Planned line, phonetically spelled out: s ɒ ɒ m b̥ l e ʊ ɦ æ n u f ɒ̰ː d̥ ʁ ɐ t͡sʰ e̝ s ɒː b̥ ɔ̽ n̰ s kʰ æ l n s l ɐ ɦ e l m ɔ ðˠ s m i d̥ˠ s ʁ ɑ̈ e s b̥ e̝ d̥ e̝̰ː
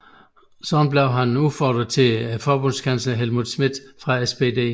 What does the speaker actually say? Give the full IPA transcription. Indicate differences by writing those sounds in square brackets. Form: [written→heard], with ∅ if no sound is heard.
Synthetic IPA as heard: s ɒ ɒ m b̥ l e ʊ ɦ æ n u f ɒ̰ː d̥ ʁ ɐ t͡sʰ e̝ [s→f] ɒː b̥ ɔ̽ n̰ s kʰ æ [l→∅] n s l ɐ ɦ e l m [ɔ→u] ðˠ s m i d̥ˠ [s→f] ʁ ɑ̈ e s b̥ e̝ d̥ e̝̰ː

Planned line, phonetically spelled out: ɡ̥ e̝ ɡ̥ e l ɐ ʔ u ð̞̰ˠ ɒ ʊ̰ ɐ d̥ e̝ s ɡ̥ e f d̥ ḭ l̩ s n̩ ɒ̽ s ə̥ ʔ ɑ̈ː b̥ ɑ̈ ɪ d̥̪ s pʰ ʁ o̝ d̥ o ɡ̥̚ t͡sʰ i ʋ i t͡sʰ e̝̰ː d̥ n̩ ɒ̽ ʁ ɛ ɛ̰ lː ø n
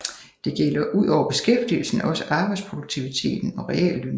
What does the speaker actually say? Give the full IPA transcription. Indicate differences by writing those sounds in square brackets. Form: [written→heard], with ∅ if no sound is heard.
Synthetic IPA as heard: [ɡ̥→d̥] e̝ ɡ̥ e l ɐ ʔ u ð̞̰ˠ ɒ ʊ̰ ɐ [d̥→b̥] e̝ s ɡ̥ e f d̥ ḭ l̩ s n̩ ɒ̽ s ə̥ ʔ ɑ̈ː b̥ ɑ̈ ɪ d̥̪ s pʰ ʁ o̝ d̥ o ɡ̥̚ t͡sʰ i ʋ i t͡sʰ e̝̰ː d̥ n̩ ɒ̽ ʁ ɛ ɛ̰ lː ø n

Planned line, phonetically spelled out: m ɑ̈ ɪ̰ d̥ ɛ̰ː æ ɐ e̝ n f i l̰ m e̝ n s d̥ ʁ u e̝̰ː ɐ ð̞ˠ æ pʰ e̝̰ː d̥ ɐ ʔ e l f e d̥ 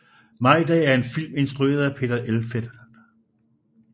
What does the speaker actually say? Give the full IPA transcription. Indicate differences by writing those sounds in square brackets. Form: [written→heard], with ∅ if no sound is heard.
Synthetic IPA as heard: m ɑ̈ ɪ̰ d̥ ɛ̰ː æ ɐ e̝ n f i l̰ m e̝ n s d̥ ʁ u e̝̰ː ɐ ð̞ˠ æ pʰ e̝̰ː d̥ ɐ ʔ e l f e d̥

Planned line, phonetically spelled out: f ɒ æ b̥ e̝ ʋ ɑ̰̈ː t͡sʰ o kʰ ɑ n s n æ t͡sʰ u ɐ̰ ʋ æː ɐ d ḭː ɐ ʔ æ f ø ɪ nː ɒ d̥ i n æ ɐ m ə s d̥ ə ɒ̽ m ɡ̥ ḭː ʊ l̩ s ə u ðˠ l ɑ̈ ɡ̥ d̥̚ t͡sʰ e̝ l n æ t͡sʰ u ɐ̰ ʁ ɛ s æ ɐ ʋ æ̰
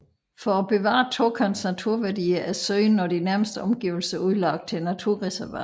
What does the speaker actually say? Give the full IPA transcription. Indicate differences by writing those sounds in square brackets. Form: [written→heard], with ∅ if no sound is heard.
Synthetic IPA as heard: f ɒ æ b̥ e̝ ʋ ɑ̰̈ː t͡sʰ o kʰ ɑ n s n æ t͡sʰ u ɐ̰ ʋ [æː→æ] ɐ d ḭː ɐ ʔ æ [f→s] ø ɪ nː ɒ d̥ i n æ ɐ m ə s d̥ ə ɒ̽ m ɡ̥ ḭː ʊ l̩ s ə u ðˠ l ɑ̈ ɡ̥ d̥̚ t͡sʰ e̝ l n æ t͡sʰ u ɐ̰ ʁ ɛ s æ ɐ ʋ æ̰

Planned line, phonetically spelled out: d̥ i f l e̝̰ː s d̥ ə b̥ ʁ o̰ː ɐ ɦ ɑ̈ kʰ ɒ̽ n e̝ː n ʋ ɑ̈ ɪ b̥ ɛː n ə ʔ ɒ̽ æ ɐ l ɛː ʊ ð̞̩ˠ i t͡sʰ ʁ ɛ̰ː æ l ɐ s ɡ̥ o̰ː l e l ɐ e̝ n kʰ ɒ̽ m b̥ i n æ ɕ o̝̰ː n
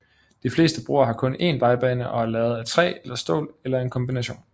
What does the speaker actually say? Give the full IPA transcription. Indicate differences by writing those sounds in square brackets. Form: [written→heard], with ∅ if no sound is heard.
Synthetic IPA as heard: d̥ i f l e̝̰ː s d̥ ə b̥ ʁ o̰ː ɐ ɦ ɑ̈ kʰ [ɒ̽→ɔ̽] n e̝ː n ʋ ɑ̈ ɪ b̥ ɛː n ə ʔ ɒ̽ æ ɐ l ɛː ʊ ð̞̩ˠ [i→æ] t͡sʰ ʁ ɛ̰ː [æ→e] l ɐ s [ɡ̥→d̥] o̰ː l e l ɐ e̝ n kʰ ɒ̽ m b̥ i n æ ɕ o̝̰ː n

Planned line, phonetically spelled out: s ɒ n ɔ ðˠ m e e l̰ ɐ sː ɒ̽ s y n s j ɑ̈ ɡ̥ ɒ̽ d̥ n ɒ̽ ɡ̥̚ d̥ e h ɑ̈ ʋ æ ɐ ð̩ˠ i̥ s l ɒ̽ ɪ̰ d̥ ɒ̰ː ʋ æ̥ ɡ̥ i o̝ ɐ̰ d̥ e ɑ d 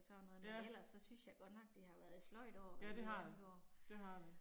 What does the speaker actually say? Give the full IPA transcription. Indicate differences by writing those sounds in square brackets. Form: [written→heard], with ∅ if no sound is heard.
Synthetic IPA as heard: s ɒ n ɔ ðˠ m e e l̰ ɐ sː ɒ̽ s y n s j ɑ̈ ɡ̥ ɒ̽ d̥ n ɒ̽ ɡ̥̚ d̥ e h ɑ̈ ʋ æ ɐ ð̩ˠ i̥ s l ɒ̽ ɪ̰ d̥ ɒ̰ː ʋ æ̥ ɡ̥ [i→j] o̝ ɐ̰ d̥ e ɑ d

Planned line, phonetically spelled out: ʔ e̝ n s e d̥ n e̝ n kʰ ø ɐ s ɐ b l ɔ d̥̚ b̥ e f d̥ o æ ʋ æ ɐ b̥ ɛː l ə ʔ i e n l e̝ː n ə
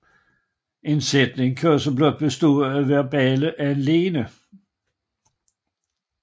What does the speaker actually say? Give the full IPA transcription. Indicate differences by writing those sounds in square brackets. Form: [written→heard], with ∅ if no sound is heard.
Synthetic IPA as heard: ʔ e̝ n s e d̥ n e̝ [n→ŋ] kʰ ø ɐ s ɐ b l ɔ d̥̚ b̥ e [f→s] d̥ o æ ʋ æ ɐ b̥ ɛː l ə ʔ [i→æ] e n l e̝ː n ə

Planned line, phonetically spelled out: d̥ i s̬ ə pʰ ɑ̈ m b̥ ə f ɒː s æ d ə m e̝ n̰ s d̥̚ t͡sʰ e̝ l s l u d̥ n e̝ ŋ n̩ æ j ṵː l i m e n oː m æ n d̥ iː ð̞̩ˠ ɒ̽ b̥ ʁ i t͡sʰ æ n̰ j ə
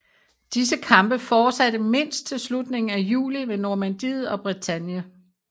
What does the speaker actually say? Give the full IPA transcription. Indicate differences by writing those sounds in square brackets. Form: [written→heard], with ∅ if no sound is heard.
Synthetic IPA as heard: d̥ i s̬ ə [pʰ→kʰ] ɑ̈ m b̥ ə f ɒː s æ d ə m e̝ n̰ s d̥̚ t͡sʰ e̝ l s l u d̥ n e̝ ŋ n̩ æ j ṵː l i m e n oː m æ n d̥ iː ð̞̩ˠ ɒ̽ b̥ ʁ i t͡sʰ æ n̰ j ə

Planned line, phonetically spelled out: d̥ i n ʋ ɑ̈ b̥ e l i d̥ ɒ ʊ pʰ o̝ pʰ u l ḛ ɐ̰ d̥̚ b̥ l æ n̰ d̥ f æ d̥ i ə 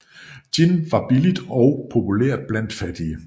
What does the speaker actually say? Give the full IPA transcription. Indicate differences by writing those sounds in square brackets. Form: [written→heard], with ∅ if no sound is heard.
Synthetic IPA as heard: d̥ i n ʋ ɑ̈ b̥ [e→i] l i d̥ ɒ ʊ pʰ o̝ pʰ u l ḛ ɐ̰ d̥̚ b̥ l æ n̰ d̥ f æ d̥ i ə

